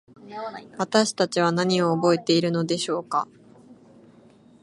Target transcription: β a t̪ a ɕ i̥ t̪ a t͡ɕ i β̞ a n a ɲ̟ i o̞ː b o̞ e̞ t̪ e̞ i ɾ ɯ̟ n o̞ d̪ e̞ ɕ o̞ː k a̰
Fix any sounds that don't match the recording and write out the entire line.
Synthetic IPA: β a t̪ a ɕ i̥ t̪ a t͡ɕ i β̞ a n a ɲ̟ i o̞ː b o̞ e̞ t̪ e̞ i ɾ ɯ̟ n o̞ d̪ e̞ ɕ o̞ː k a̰